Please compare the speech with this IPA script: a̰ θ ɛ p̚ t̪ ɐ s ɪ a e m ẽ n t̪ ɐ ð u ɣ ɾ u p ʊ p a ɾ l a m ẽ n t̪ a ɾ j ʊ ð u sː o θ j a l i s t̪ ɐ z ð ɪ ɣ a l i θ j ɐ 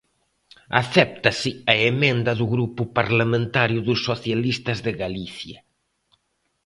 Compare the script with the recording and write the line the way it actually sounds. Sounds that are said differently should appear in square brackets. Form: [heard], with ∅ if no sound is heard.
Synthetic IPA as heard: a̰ θ ɛ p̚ t̪ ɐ s ɪ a e m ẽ n [d̪] ɐ ð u ɣ ɾ u p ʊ p a ɾ l a m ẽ n t̪ a ɾ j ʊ ð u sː o θ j a l i s t̪ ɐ z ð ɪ ɣ a l i θ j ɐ